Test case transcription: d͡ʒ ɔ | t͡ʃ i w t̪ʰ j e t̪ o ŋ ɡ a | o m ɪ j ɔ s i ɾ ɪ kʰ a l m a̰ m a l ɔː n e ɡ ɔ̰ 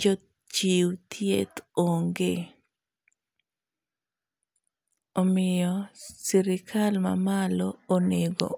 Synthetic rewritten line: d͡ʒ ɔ | t͡ʃ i w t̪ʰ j e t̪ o ŋ ɡ e | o m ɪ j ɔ s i ɾ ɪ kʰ a l m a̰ m a l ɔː n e ɡ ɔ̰